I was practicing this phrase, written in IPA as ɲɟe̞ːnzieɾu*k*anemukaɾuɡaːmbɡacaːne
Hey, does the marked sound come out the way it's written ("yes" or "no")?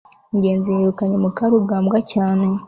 yes